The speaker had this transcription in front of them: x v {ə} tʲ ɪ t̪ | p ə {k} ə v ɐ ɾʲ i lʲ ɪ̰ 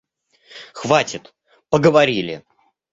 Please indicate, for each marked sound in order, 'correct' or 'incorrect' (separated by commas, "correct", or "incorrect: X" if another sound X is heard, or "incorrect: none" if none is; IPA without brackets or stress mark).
incorrect: a, incorrect: ɡ